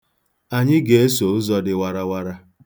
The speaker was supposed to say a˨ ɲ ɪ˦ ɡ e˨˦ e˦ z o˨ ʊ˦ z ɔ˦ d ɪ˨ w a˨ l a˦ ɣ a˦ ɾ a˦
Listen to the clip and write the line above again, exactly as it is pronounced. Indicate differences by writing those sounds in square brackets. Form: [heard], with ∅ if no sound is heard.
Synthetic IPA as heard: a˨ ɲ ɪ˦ ɡ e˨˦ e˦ [s] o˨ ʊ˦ z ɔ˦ d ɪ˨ w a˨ [ɾ] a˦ [w] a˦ ɾ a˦